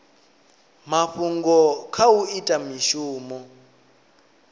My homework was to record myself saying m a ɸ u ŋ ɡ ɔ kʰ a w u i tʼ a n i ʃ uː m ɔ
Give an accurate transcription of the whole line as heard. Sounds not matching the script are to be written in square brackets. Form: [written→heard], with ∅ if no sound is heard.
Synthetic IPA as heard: m a ɸ u ŋ ɡ ɔ kʰ a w u i tʼ a [n→m] i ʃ uː m ɔ